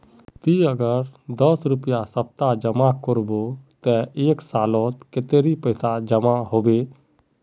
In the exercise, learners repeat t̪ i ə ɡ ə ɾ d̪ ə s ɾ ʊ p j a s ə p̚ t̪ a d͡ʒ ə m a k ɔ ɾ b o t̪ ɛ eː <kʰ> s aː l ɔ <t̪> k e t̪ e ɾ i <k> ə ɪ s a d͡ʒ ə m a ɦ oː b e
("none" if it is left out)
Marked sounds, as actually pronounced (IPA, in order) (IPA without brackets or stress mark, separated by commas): k, t̪, p